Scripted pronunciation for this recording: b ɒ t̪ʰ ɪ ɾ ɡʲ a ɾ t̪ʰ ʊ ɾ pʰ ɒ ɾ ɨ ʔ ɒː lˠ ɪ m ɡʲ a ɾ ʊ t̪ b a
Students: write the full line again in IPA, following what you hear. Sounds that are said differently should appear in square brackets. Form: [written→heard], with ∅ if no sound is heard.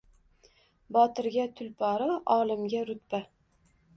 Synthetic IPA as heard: b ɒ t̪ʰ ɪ ɾ ɡʲ a [ɾ→∅] t̪ʰ ʊ [ɾ→l] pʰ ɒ ɾ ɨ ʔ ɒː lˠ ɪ m ɡʲ a ɾ ʊ t̪ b a